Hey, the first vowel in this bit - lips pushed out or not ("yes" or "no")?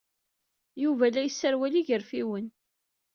yes